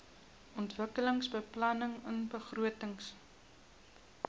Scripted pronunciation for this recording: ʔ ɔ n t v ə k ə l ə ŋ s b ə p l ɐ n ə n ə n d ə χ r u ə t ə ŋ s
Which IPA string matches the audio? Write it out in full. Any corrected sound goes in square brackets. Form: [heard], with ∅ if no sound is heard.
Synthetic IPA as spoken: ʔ ɔ n t v ə k ə l ə ŋ s b ə p l ɐ n ə [ŋ] ə n [b] ə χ r u ə t ə ŋ s